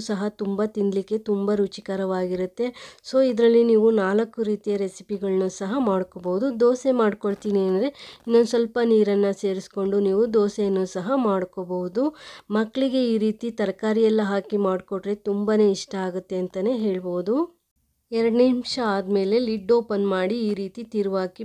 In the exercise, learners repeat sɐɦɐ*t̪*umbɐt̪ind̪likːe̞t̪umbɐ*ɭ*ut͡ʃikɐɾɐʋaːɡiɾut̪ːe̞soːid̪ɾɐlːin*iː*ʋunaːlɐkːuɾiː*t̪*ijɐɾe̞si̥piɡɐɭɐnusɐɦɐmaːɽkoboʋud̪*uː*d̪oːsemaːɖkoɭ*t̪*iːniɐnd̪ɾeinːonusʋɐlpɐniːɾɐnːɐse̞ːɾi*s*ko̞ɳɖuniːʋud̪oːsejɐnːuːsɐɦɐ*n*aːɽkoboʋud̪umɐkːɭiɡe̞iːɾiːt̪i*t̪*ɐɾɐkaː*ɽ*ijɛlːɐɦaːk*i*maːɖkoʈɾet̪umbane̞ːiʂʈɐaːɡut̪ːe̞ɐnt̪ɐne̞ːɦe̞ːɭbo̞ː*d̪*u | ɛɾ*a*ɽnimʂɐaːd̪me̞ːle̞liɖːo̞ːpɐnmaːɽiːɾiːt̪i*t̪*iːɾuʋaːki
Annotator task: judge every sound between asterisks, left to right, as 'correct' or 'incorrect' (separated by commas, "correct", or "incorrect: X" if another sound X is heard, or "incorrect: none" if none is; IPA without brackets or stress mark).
correct, incorrect: ɾ, correct, correct, incorrect: u, correct, correct, incorrect: m, correct, incorrect: ɾ, correct, correct, incorrect: ɐ, correct